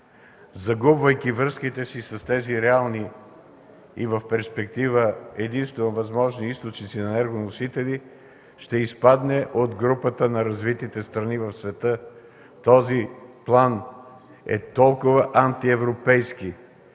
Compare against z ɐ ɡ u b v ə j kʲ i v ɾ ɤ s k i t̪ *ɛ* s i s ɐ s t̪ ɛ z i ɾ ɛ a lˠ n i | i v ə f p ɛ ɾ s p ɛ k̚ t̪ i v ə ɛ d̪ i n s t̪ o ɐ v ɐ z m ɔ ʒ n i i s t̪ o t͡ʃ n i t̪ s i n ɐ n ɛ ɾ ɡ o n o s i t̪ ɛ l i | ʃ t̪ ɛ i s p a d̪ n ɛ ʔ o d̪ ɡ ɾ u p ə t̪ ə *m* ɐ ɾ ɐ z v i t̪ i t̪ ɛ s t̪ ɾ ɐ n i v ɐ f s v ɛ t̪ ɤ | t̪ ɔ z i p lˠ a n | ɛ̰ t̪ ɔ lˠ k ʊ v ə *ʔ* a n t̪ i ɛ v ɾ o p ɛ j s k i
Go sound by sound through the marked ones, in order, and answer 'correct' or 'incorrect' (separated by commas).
correct, incorrect, correct